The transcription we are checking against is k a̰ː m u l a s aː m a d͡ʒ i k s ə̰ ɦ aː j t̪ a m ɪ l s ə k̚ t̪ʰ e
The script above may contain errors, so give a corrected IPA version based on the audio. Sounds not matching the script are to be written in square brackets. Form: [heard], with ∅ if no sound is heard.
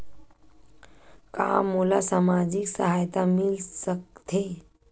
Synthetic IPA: k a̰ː m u l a s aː m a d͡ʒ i k s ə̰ ɦ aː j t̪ a m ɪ l s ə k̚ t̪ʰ e